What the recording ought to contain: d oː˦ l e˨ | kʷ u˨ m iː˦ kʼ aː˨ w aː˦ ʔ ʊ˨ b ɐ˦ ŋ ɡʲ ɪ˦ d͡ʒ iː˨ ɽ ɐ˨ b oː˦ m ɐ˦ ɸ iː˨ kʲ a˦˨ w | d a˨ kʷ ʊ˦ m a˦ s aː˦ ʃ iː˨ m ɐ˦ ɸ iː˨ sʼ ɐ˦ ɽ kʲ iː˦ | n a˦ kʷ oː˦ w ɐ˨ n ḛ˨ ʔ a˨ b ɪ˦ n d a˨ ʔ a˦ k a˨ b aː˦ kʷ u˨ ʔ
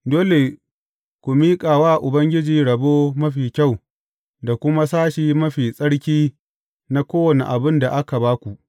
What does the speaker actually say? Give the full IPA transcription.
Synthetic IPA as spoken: d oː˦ l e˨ | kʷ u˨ m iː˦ kʼ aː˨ w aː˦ ʔ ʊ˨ b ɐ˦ ŋ ɡʲ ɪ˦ d͡ʒ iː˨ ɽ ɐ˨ b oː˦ m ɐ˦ ɸ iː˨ kʲ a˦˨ w | d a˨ kʷ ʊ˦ m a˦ s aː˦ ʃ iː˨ m ɐ˦ ɸ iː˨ sʼ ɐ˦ ɽ kʲ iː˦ | n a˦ kʷ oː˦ w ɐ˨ n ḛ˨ ʔ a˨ b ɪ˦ n d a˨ ʔ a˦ k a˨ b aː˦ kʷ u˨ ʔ